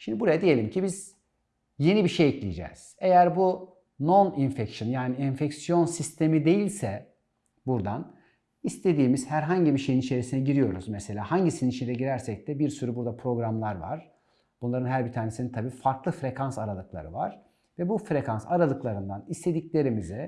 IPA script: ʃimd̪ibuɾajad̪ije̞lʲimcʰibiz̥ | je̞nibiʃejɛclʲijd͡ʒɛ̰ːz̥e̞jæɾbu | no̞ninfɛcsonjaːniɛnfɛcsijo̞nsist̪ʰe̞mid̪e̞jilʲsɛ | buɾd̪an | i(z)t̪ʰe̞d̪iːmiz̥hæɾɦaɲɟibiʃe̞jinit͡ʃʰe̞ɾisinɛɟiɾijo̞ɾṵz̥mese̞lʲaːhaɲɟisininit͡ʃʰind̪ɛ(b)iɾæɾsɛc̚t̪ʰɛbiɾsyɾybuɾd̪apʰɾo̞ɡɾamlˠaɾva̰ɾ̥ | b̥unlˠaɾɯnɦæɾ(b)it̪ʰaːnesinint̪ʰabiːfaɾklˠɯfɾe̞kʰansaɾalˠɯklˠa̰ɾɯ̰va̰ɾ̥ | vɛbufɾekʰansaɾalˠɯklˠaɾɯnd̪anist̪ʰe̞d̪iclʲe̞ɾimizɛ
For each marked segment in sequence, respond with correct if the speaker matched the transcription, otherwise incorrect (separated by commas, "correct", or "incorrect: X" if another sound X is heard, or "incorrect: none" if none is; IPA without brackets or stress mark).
incorrect: s, incorrect: ɟ, correct